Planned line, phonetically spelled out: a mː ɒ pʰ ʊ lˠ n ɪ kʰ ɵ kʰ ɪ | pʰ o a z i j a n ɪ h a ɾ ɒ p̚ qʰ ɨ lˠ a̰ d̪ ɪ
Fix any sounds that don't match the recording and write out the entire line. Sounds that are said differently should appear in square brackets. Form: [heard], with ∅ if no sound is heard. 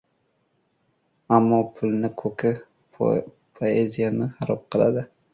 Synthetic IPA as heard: a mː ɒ pʰ ʊ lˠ n ɪ kʰ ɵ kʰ ɪ | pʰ o [e] z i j a n ɪ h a ɾ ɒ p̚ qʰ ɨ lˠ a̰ d̪ ɪ